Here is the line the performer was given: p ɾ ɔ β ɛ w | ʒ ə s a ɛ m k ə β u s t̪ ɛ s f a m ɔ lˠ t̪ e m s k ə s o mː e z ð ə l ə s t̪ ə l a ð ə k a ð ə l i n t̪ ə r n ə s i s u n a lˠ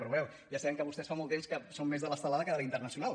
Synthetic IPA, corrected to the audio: p ɾ u β ɛ w | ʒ a s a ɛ ŋ k ə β u s t̪ ɛ s f a m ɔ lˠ t̪ e m s k ə s o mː e z ð ə l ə s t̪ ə l a ð ə k ə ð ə l i n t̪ ə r n ə s i u n a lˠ